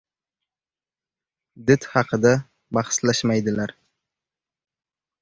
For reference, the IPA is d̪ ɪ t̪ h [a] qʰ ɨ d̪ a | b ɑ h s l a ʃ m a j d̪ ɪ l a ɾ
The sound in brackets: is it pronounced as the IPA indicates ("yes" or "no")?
no